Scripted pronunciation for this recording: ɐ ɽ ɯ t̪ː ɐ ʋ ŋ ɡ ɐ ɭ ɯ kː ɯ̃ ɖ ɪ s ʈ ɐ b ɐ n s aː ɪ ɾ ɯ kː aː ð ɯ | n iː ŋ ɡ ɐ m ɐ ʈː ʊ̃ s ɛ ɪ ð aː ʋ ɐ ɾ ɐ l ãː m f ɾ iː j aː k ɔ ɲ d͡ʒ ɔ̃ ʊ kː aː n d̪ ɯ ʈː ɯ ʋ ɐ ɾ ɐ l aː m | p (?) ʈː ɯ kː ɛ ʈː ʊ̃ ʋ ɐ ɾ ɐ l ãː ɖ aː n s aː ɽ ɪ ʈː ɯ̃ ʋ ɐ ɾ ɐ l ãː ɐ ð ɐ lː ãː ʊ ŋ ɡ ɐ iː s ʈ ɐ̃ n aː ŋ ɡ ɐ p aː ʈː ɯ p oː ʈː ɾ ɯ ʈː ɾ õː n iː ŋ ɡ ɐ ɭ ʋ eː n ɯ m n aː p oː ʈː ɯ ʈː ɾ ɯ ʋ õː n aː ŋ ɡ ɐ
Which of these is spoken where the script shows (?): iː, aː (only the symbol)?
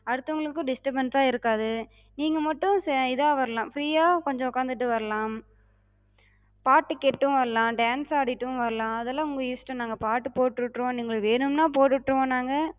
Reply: aː